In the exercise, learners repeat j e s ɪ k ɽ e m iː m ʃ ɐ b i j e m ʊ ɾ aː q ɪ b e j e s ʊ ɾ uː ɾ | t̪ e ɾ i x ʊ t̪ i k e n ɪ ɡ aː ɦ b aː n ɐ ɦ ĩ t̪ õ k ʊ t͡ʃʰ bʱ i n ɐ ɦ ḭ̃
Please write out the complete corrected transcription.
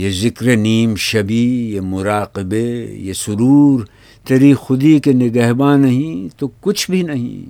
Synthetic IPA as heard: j e z ɪ k ɾ e n iː m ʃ ɐ b i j e m ʊ ɾ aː q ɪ b e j e s ʊ ɾ uː ɾ | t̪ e ɾ i x ʊ d̪ i k e n ɪ ɡ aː ɦ b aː n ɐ ɦ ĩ t̪ o k ʊ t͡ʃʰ bʱ i n ɐ ɦ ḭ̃